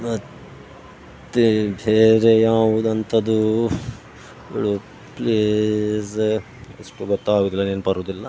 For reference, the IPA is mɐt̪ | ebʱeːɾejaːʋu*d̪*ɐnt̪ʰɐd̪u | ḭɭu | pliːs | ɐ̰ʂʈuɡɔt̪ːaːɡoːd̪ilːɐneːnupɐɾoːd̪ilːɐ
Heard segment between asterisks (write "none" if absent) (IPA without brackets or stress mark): d̪